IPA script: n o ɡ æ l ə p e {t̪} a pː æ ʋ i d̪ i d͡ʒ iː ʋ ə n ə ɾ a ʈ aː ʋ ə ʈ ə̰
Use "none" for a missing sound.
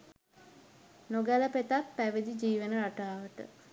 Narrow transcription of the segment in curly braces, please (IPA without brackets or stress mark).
t̪